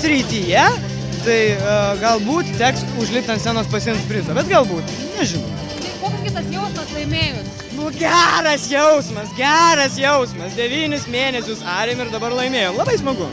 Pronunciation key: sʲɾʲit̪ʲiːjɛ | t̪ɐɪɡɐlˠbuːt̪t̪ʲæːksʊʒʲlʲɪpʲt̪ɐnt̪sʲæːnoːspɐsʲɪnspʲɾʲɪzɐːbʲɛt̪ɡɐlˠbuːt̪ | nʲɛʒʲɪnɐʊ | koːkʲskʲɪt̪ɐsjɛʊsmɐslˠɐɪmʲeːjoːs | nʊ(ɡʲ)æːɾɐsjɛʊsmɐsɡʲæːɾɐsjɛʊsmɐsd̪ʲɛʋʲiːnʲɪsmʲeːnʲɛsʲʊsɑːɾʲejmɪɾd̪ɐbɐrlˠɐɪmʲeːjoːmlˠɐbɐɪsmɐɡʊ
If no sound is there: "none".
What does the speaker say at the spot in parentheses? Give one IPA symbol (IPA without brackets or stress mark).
ɡʲ